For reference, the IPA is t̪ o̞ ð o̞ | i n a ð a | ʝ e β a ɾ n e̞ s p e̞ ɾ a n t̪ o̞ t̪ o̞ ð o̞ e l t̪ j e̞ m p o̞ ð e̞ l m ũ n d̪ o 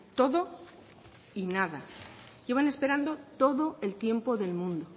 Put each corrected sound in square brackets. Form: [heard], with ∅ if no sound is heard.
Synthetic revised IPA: t̪ o̞ ð o̞ | i n a ð a | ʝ e β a [∅] n e̞ s p e̞ ɾ a n [d̪] o̞ t̪ o̞ ð o̞ e l t̪ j e̞ m p o̞ ð e̞ l m ũ n d̪ o